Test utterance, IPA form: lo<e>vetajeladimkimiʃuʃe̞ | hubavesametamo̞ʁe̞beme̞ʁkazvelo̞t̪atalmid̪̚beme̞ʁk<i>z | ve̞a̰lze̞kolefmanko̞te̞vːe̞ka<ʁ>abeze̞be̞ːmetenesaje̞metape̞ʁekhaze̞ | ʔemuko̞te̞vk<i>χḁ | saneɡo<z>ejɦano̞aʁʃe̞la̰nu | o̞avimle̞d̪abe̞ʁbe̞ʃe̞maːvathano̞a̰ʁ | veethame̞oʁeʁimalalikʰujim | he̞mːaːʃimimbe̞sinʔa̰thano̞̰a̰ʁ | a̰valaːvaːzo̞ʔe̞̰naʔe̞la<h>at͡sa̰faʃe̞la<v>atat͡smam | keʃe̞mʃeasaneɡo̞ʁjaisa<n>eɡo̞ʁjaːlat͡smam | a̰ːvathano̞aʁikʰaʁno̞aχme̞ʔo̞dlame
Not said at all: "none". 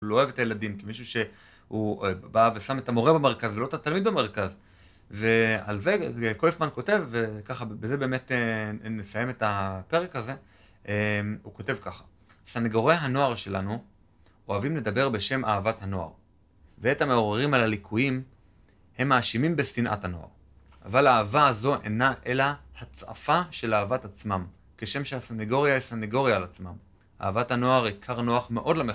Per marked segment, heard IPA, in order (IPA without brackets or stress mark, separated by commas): e, a, χ, a, ʁ, h, v, n